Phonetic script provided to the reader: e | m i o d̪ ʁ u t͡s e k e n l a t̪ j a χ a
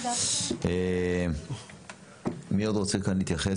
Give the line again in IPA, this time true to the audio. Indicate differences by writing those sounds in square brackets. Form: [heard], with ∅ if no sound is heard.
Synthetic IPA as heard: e | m i o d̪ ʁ [o] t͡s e k [a] n l [i] t̪ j a χ [e]